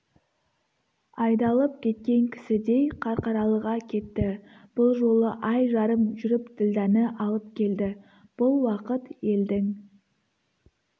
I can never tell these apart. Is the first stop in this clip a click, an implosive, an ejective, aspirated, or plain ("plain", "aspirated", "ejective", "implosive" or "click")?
plain